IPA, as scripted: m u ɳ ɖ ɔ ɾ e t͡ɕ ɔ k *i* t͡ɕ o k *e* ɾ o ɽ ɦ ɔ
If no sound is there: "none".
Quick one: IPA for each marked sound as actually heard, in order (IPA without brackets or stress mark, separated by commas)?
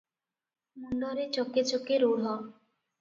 e, e